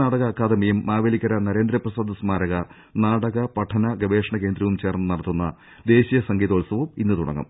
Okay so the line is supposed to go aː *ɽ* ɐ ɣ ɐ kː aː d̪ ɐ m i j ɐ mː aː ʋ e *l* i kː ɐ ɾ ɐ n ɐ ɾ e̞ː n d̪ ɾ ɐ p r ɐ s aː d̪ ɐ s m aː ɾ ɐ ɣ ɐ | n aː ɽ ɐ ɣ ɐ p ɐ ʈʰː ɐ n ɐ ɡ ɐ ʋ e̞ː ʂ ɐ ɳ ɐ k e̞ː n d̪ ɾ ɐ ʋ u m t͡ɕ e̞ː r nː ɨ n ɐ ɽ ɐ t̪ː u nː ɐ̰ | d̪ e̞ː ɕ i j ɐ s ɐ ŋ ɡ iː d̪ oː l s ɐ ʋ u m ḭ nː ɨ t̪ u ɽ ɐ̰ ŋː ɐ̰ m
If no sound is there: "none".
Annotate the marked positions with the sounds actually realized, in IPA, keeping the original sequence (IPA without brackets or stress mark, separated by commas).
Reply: ɽ, l